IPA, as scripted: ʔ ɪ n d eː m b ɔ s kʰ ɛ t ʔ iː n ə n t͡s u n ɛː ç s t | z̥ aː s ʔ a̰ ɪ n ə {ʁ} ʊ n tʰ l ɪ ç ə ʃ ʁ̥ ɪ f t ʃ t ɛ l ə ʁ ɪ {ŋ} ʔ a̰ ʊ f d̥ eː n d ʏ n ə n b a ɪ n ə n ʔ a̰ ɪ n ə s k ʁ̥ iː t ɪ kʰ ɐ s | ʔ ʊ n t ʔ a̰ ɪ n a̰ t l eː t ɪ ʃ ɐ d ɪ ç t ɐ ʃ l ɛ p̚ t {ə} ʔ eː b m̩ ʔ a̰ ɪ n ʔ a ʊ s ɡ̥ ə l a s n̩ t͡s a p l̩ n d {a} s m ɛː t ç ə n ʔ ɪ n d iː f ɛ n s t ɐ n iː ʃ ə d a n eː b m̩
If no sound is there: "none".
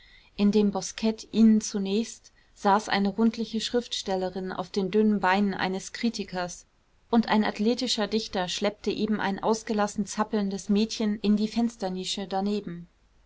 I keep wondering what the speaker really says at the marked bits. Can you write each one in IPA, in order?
ʁ, n, ə, ə

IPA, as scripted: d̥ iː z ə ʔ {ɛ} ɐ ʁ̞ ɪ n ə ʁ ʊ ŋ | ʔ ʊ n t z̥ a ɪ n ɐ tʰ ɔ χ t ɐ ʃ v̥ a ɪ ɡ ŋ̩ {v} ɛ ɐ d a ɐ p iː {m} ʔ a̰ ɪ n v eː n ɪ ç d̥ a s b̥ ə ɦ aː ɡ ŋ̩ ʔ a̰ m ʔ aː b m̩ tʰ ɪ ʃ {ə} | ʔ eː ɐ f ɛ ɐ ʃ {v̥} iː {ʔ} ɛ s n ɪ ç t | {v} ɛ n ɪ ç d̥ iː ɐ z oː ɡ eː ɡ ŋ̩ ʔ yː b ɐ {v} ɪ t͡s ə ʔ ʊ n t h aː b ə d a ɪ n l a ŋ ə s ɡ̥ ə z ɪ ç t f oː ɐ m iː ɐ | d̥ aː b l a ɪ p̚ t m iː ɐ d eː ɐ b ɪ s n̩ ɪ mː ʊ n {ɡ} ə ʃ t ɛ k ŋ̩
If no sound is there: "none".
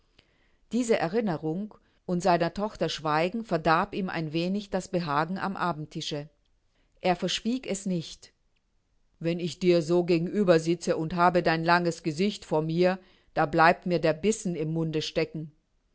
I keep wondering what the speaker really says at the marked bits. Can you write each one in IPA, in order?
ɛ, f, m, ə, v̥, k, v, z, d

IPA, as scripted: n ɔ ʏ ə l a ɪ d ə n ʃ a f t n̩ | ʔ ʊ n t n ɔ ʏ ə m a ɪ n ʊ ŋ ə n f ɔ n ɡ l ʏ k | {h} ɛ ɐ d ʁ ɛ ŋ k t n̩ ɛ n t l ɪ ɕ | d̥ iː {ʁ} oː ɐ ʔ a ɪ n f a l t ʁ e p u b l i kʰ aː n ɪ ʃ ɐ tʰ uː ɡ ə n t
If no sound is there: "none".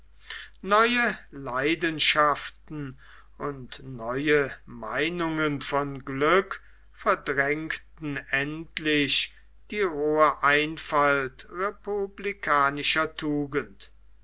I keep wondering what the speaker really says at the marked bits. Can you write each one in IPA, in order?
f, ʁ

